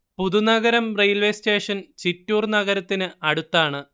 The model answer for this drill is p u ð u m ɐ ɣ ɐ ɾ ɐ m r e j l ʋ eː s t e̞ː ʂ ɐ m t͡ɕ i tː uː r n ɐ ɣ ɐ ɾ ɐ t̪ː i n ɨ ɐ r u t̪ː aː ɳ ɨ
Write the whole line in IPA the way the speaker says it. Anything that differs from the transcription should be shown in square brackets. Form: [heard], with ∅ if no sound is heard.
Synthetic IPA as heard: p u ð u [n] ɐ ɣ ɐ ɾ ɐ m r e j l ʋ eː s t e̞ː ʂ ɐ [n] t͡ɕ i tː uː r n ɐ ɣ ɐ ɾ ɐ t̪ː i n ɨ ɐ [ɽ] u t̪ː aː ɳ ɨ

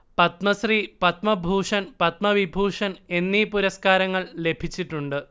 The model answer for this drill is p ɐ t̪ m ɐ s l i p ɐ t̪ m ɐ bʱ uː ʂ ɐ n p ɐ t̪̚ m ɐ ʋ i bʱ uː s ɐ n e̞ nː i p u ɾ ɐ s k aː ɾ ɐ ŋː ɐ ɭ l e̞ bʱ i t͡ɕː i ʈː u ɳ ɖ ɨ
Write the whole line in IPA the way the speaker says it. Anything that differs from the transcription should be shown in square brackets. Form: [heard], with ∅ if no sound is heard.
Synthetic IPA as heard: p ɐ t̪ m ɐ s [r] i p ɐ t̪ m ɐ bʱ uː ʂ ɐ n p ɐ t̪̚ m ɐ ʋ i bʱ uː [ʂ] ɐ n e̞ nː i p u ɾ ɐ s k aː ɾ ɐ ŋː ɐ ɭ l e̞ bʱ i t͡ɕː i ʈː u ɳ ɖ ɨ

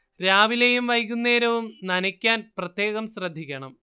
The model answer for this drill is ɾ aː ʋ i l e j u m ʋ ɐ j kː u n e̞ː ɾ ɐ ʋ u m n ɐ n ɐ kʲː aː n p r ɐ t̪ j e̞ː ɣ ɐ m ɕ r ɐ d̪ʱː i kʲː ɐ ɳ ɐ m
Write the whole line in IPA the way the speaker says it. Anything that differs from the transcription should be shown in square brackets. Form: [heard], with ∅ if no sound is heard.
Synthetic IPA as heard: ɾ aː ʋ i l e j u m ʋ ɐ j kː u [nː] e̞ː ɾ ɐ ʋ u m n ɐ n ɐ kʲː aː n p r ɐ t̪ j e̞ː ɣ ɐ m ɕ r ɐ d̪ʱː i kʲː ɐ ɳ ɐ m

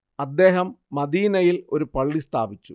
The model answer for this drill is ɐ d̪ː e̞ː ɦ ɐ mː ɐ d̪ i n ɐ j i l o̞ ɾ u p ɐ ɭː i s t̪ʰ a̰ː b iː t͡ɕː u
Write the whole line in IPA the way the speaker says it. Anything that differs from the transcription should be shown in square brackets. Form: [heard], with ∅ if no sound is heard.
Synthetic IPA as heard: ɐ d̪ː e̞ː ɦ ɐ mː ɐ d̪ [iː] n ɐ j i l o̞ ɾ u p ɐ ɭː i s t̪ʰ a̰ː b [i] t͡ɕː u

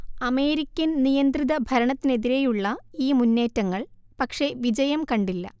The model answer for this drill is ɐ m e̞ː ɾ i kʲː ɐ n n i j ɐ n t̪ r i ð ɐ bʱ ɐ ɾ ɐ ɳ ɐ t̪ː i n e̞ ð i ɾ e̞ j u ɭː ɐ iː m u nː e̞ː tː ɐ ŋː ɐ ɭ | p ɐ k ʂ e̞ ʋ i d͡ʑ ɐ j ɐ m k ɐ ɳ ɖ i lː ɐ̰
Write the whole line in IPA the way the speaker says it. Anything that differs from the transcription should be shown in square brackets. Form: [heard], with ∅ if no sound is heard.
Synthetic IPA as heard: ɐ m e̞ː ɾ i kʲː ɐ n n i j ɐ n [d̪] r i ð ɐ bʱ ɐ ɾ ɐ ɳ ɐ t̪ː i n e̞ ð i ɾ e̞ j u ɭː ɐ iː m u nː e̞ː tː ɐ ŋː ɐ ɭ | p ɐ k ʂ e̞ ʋ i d͡ʑ ɐ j ɐ m k ɐ ɳ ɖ i lː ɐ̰

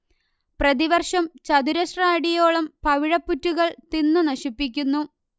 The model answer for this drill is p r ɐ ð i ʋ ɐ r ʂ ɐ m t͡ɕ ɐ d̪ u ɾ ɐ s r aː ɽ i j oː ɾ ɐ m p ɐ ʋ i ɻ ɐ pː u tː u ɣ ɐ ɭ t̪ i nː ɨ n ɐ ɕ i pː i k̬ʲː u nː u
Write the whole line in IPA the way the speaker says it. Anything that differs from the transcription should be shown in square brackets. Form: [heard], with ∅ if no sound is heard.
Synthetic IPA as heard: p r ɐ ð i ʋ ɐ r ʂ ɐ m t͡ɕ ɐ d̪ u ɾ ɐ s r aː ɽ i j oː [ɭ] ɐ m p ɐ ʋ i ɻ ɐ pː u tː u ɣ ɐ ɭ t̪ i nː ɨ n ɐ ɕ i pː i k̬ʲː u nː u

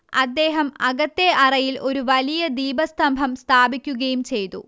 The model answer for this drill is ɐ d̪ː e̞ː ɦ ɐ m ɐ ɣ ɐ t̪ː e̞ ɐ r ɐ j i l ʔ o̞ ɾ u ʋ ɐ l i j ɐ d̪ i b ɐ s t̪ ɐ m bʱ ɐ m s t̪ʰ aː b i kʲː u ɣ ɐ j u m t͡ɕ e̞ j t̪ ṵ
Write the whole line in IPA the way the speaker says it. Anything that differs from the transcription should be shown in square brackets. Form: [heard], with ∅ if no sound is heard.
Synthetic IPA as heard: ɐ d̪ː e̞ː ɦ ɐ m ɐ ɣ ɐ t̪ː e̞ ɐ r ɐ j i l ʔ o̞ ɾ u ʋ ɐ l i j ɐ d̪ [iː] b ɐ s t̪ ɐ m bʱ ɐ m s t̪ʰ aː b i kʲː u ɣ ɐ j u m t͡ɕ e̞ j t̪ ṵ

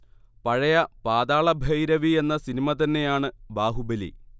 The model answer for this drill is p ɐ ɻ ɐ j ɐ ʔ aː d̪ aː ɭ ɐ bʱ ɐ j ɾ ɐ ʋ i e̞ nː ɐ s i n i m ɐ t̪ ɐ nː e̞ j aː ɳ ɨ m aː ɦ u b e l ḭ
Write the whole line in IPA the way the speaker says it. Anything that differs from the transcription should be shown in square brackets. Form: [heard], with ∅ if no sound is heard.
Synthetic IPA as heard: p ɐ ɻ ɐ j ɐ [p] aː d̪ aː ɭ ɐ bʱ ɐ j ɾ ɐ ʋ i e̞ nː ɐ s i n i m ɐ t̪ ɐ nː e̞ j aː ɳ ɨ [b] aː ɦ u b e l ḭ

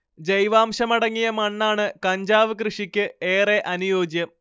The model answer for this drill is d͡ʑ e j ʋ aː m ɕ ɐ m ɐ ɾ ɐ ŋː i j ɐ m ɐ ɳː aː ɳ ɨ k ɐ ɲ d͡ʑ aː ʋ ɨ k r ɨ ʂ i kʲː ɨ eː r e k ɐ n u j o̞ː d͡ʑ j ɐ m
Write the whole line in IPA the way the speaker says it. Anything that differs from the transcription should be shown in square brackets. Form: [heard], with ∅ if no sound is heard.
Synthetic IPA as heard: d͡ʑ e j ʋ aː m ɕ ɐ m ɐ [ɽ] ɐ ŋː i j ɐ m ɐ ɳː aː ɳ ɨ k ɐ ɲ d͡ʑ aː ʋ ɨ k r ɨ ʂ i kʲː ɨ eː r e [ʔ] ɐ n u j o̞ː d͡ʑ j ɐ m

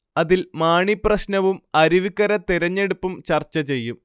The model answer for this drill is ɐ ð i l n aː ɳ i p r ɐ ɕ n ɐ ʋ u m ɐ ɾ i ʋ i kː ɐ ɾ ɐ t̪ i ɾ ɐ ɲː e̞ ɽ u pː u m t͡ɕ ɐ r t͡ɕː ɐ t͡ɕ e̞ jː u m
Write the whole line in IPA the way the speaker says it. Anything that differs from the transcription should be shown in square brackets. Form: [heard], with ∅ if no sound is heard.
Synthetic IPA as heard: ɐ ð i l [m] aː ɳ i p r ɐ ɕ n ɐ ʋ u m ɐ ɾ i ʋ i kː ɐ ɾ ɐ t̪ i ɾ ɐ ɲː e̞ ɽ u pː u m t͡ɕ ɐ r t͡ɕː ɐ t͡ɕ e̞ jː u m

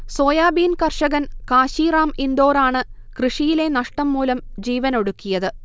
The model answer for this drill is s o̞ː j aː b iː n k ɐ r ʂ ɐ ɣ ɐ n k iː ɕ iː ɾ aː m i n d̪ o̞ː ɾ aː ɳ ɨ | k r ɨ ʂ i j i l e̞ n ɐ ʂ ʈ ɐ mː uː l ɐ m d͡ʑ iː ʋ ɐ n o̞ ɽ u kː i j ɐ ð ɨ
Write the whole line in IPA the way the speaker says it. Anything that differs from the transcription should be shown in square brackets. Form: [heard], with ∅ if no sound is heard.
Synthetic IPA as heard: s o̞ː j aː b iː n k ɐ r ʂ ɐ ɣ ɐ n k [aː] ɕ iː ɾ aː m i n d̪ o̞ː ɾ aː ɳ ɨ | k r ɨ ʂ i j i l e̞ n ɐ ʂ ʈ ɐ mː uː l ɐ m d͡ʑ iː ʋ ɐ n o̞ ɽ u kː i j ɐ ð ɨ

